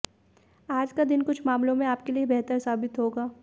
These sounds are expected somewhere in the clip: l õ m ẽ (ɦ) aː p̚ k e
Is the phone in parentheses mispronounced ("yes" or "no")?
yes